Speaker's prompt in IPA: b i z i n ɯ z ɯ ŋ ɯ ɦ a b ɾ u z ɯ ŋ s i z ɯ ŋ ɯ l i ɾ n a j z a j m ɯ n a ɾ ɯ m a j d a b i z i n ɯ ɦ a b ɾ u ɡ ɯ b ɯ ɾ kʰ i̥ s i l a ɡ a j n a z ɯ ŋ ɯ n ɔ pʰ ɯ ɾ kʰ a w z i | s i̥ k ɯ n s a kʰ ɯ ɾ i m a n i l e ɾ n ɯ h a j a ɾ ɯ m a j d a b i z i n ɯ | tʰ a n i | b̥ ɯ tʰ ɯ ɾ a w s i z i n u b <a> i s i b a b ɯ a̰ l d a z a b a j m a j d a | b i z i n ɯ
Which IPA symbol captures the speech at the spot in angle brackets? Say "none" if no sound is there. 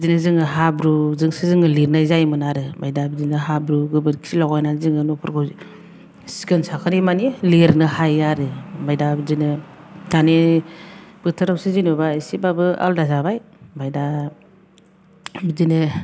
a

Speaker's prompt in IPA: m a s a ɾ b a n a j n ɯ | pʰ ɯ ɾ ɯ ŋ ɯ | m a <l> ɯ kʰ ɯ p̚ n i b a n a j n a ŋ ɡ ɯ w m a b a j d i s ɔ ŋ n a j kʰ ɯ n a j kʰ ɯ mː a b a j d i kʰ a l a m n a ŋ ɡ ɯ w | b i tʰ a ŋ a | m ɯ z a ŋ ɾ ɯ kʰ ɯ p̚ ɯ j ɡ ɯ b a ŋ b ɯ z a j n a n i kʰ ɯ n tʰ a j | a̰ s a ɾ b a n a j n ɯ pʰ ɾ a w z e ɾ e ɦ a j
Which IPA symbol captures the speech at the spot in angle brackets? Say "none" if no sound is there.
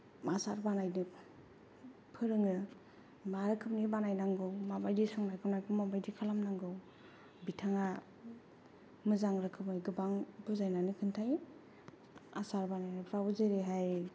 ɾ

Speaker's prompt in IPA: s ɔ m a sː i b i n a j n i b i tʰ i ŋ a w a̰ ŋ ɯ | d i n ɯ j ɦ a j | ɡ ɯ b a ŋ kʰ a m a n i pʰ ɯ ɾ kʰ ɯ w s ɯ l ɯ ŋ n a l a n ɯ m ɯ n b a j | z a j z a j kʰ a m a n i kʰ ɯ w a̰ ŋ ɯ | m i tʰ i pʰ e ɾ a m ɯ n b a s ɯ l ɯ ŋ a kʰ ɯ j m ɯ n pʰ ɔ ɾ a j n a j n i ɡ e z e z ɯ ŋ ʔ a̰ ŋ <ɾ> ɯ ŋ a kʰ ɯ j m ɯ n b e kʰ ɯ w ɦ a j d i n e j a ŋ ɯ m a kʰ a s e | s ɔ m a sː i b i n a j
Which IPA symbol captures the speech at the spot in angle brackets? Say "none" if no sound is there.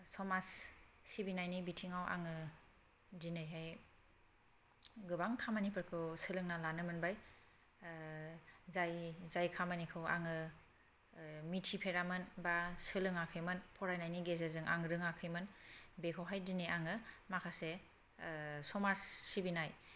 ɾ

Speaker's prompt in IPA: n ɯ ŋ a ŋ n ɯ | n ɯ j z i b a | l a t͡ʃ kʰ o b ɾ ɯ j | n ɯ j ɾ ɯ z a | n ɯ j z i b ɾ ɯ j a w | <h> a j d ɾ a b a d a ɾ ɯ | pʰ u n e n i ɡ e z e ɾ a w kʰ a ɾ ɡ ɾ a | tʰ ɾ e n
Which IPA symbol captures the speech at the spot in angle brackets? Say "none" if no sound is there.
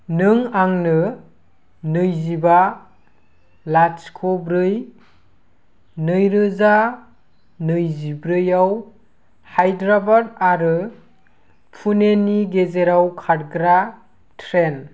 h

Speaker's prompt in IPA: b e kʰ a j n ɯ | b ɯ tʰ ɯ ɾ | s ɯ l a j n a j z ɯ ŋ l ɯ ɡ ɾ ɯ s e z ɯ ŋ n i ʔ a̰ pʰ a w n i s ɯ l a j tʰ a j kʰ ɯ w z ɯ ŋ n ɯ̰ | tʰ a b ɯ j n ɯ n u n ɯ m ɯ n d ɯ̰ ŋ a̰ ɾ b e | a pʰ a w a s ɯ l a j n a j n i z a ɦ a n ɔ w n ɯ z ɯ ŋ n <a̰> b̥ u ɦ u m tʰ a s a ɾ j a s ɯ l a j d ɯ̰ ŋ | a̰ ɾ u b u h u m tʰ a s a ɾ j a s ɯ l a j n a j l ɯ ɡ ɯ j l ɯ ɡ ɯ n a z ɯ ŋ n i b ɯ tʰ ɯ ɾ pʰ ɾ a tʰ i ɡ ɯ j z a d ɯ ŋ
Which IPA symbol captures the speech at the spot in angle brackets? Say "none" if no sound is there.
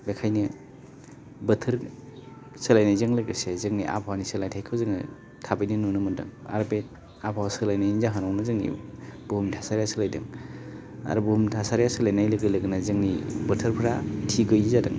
ḭ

